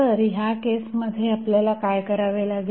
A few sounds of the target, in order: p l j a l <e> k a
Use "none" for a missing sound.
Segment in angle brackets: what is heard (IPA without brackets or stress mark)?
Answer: a